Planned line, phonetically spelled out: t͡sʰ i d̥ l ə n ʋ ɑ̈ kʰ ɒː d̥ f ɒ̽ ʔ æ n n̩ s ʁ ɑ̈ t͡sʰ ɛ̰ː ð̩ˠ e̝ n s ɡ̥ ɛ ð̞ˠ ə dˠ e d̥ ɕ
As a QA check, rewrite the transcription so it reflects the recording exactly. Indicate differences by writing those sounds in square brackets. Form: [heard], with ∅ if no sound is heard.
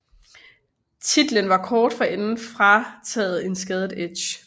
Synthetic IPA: t͡sʰ i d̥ l ə n ʋ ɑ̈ kʰ ɒː d̥ f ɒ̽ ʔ [e] n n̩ [f] ʁ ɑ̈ t͡sʰ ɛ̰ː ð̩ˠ e̝ n s ɡ̥ ɛ ð̞ˠ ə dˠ e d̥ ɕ